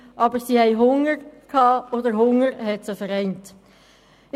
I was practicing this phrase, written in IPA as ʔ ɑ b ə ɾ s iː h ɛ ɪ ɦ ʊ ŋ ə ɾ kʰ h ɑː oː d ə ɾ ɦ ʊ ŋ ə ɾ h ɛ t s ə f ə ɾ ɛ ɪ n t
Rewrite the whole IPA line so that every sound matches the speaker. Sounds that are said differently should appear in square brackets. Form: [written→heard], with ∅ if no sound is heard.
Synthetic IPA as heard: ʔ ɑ b ə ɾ s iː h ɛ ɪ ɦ ʊ ŋ ə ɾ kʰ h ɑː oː d ə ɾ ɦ ʊ ŋ ə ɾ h ɛ t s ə f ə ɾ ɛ ɪ n t